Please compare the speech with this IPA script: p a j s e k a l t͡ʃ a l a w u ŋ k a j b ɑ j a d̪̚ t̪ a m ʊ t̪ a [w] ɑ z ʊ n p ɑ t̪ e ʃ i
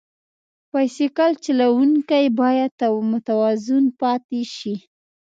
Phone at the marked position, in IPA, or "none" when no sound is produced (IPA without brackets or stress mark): w